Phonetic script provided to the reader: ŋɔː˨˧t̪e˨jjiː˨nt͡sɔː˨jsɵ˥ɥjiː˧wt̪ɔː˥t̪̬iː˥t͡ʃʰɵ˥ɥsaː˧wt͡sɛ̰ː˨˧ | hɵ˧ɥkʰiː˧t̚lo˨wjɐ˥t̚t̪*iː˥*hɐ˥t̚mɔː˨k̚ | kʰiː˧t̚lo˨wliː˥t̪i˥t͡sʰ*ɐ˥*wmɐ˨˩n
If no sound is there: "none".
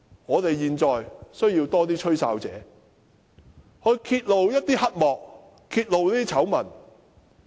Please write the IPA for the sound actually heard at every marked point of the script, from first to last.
iː˥, ɐ˨˥

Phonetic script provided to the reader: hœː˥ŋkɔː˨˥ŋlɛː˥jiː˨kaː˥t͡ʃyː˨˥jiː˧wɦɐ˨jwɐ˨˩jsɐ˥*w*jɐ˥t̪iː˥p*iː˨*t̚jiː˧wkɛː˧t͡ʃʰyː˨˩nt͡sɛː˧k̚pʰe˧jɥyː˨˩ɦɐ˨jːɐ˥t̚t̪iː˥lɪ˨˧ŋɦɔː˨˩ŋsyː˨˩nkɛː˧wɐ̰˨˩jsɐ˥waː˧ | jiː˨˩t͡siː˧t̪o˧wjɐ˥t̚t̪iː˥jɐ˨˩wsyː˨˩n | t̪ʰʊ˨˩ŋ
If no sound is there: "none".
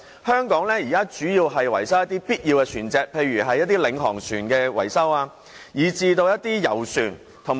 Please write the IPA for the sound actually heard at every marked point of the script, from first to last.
w, iː˥

